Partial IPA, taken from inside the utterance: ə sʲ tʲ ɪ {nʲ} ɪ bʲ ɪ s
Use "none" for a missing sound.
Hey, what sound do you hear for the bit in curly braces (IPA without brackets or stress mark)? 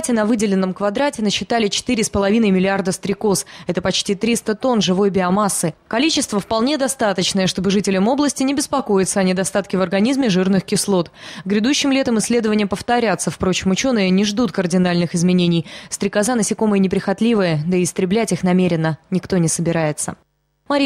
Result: nʲ